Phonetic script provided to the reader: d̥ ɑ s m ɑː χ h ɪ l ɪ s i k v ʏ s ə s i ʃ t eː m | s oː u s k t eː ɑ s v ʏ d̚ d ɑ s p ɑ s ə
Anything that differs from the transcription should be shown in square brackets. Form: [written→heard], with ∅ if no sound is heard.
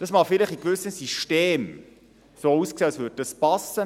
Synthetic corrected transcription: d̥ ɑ s m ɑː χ [h→f] ɪ l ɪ [s→χ] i k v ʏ s ə s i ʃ t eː m | s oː u s k [t→s] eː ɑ s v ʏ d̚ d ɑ s p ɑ s ə